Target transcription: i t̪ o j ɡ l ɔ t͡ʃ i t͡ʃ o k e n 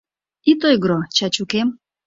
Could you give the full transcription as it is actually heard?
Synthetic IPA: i t̪ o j ɡ ɾ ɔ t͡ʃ a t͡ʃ u k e m